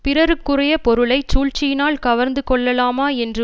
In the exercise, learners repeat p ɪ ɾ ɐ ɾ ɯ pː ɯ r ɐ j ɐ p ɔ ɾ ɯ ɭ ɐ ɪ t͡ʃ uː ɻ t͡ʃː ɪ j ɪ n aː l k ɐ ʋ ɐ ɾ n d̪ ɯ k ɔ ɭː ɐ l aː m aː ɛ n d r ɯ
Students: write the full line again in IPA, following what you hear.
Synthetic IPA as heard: p ɪ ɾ ɐ ɾ ɯ kː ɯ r ɐ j ɐ p ɔ ɾ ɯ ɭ ɐ ɪ t͡ʃ uː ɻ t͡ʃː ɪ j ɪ n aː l k ɐ ʋ ɐ ɾ n d̪ ɯ k ɔ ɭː ɐ l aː m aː ɛ n d r ɯ